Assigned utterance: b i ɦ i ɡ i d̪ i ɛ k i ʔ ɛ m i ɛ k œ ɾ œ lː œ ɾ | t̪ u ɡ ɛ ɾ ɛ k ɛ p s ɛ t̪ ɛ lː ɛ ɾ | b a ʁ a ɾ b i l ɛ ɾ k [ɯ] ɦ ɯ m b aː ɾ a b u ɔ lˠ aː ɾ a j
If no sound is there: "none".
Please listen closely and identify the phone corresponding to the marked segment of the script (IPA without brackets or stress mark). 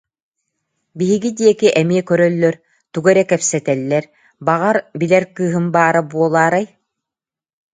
ɯː